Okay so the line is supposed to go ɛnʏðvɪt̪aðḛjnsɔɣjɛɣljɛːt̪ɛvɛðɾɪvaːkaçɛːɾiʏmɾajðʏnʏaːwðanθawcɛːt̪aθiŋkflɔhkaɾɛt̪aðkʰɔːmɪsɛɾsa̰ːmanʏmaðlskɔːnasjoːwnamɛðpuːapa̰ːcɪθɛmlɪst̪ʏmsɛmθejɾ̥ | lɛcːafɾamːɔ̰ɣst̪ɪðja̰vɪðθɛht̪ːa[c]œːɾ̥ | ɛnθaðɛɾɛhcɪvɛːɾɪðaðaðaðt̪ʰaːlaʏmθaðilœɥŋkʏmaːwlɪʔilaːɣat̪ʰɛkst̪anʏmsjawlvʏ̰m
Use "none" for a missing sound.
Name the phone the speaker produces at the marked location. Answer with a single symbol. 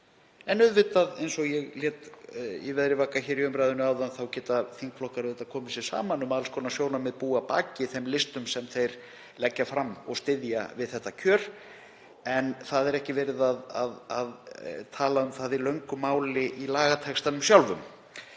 cʰ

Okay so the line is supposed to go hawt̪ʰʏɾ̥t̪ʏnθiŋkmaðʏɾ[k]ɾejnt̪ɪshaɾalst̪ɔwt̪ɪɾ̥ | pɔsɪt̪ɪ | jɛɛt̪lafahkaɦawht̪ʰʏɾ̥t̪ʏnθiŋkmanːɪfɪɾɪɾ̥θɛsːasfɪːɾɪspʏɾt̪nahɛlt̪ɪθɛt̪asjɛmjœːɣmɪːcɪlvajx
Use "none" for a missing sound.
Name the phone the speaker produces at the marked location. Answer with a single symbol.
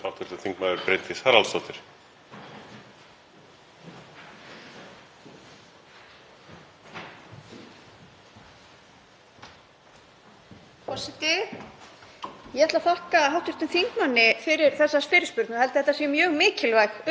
p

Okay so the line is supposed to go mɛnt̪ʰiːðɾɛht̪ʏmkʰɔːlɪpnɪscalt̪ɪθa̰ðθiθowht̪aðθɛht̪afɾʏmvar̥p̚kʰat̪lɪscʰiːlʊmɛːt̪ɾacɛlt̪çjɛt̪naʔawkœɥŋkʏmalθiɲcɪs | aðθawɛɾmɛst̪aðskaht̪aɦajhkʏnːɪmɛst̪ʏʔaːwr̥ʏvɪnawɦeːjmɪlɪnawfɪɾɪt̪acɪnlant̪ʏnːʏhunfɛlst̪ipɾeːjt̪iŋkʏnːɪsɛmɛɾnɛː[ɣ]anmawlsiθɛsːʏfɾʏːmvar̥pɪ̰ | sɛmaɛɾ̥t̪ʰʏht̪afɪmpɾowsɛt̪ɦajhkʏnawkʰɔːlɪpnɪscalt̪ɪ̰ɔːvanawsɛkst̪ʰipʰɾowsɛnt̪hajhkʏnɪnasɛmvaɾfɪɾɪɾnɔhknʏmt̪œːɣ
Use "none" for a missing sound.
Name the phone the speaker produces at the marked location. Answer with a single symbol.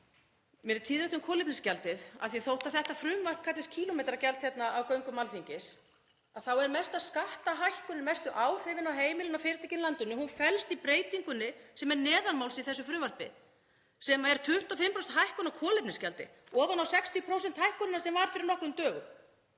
ð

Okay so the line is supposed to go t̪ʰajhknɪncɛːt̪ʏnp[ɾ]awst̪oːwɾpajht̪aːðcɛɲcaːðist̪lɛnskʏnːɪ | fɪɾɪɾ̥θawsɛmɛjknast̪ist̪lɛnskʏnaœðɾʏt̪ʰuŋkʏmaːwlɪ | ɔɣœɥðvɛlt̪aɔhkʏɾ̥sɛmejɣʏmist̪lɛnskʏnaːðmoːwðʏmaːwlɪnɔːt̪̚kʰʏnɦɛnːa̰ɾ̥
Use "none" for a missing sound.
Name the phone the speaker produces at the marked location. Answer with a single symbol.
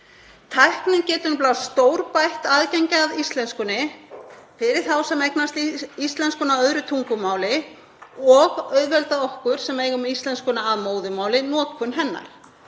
l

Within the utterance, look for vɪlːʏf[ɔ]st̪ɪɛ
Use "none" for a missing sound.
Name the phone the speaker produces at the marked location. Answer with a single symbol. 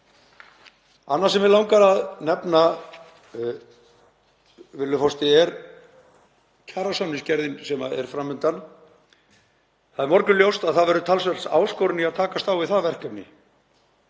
ɔ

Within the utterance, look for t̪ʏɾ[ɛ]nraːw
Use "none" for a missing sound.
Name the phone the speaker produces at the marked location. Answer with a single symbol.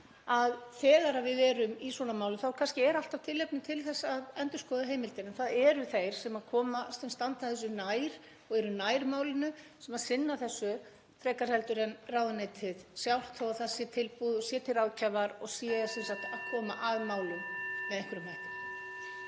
ɛ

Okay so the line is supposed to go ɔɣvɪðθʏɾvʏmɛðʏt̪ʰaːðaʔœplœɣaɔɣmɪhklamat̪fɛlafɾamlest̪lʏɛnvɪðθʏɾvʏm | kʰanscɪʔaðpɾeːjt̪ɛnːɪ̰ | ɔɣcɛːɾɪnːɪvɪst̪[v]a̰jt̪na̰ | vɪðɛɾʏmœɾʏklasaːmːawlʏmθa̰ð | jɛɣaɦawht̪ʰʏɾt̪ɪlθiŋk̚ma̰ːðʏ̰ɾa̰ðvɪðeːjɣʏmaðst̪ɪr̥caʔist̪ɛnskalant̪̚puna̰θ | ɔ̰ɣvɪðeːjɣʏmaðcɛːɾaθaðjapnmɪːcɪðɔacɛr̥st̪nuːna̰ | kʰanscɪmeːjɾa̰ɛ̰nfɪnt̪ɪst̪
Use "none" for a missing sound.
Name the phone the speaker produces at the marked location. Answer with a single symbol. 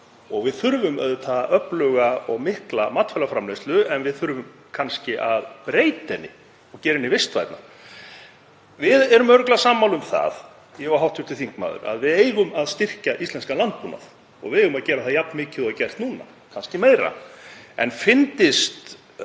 v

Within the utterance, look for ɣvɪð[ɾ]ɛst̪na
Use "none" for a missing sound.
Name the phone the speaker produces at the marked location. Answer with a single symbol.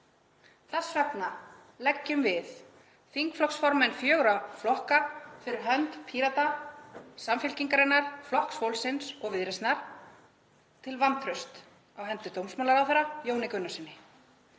ɾ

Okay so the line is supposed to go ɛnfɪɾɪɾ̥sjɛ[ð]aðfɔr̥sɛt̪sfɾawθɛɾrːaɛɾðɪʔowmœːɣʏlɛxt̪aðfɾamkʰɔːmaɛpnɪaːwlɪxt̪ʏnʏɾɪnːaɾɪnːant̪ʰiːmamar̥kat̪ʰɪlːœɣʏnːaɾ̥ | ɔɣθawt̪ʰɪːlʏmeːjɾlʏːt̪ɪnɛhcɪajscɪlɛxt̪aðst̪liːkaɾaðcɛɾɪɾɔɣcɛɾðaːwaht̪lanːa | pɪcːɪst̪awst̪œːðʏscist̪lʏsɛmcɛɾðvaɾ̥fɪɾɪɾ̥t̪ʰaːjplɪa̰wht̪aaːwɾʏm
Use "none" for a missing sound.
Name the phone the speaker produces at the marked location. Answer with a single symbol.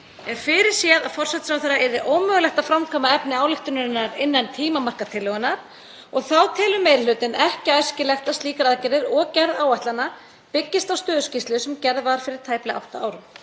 ð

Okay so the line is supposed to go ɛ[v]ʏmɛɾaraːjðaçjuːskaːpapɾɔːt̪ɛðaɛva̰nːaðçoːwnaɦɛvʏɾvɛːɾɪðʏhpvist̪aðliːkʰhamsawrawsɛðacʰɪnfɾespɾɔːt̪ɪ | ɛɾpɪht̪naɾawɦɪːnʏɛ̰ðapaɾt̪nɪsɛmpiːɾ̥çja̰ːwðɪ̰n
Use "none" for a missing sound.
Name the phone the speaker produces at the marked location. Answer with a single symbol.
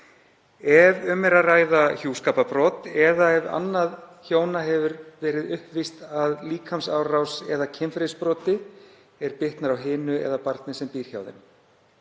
v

